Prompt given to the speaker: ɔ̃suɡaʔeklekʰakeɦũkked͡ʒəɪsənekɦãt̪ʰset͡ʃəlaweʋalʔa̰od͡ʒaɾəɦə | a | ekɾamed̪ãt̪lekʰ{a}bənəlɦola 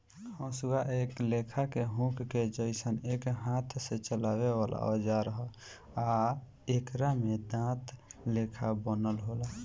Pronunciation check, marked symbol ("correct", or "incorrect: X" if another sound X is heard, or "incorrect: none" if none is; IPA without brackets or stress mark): correct